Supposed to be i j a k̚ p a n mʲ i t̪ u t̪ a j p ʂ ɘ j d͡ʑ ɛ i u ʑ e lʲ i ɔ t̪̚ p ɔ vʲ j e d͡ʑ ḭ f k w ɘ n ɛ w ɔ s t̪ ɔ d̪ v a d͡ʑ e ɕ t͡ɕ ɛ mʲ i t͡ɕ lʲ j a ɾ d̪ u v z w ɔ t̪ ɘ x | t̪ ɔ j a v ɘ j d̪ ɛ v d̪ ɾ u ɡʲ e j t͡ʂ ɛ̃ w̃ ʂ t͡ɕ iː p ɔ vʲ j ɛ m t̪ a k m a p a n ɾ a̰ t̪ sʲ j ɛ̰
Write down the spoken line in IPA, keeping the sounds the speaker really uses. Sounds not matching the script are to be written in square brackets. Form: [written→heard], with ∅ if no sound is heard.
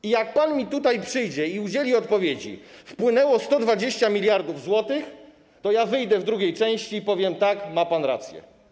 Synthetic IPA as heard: i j a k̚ p a n mʲ i t̪ u t̪ a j p ʂ ɘ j d͡ʑ ɛ i u [ʑ→d͡ʑ] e lʲ i ɔ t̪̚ p ɔ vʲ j e d͡ʑ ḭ f [k→p] w ɘ n ɛ w ɔ s t̪ ɔ d̪ v a d͡ʑ e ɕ t͡ɕ [ɛ→a] mʲ i [t͡ɕ→∅] lʲ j a ɾ d̪ u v z w ɔ t̪ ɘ x | t̪ ɔ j a v ɘ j d̪ ɛ v d̪ ɾ u ɡʲ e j t͡ʂ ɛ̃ w̃ [ʂ→ɕ] t͡ɕ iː p ɔ vʲ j ɛ m t̪ a k m a p a n ɾ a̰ t̪ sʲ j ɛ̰

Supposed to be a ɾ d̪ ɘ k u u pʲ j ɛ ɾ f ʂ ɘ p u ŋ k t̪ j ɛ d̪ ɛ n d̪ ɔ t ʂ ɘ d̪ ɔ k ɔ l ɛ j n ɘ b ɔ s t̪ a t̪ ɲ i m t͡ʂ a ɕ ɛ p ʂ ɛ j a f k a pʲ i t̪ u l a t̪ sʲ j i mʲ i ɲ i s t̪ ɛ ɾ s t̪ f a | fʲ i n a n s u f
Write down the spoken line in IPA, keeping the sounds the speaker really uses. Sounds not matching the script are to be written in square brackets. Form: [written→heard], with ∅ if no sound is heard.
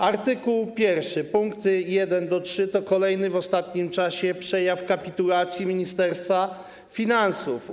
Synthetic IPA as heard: a ɾ [d̪→t̪] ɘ k u [u→w] pʲ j ɛ ɾ f ʂ ɘ p u ŋ k t̪ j ɛ d̪ ɛ n d̪ ɔ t ʂ ɘ [d̪→t̪] ɔ k ɔ l ɛ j n ɘ [b→v] ɔ s t̪ a t̪ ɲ i m t͡ʂ a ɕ ɛ p ʂ ɛ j a f k a pʲ i t̪ u l a t̪ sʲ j i mʲ i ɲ i s t̪ ɛ ɾ s t̪ f a | fʲ i n a n s u f

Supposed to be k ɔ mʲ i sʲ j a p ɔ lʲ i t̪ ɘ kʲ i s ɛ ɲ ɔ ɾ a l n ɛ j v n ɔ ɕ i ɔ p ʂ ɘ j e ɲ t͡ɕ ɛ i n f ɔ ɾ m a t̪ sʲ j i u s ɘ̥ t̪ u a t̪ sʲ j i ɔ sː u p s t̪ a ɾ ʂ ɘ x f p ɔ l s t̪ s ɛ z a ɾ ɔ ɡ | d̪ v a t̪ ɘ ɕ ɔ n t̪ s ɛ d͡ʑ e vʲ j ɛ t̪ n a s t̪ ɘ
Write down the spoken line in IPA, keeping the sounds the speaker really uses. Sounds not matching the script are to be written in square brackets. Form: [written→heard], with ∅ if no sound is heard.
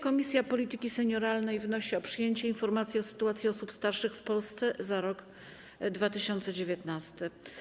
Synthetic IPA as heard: k ɔ mʲ i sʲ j a p ɔ lʲ i t̪ ɘ kʲ i s ɛ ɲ ɔ ɾ a l n ɛ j v n ɔ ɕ i ɔ p ʂ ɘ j e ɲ t͡ɕ ɛ i n f ɔ ɾ m a t̪ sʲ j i [u→ɔ] s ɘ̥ t̪ u a t̪ sʲ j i ɔ [sː→s] u p s t̪ a ɾ ʂ ɘ x f p ɔ l s t̪ s ɛ z a ɾ ɔ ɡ | d̪ v a t̪ ɘ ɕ ɔ n t̪ s ɛ d͡ʑ e vʲ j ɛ t̪ n a s t̪ ɘ

